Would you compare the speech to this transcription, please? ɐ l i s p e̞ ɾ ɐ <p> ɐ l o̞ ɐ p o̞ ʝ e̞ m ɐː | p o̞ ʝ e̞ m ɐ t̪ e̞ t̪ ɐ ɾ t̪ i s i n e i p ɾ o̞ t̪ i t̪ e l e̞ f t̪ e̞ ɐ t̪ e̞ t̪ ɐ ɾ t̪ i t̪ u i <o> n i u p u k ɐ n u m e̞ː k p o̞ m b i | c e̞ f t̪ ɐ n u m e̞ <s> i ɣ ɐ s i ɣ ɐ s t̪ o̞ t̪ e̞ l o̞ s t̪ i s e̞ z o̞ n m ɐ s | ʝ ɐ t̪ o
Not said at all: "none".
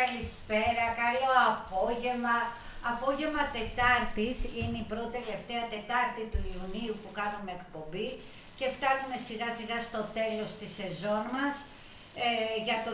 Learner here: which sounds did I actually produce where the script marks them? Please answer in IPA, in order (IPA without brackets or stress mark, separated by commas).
k, u, s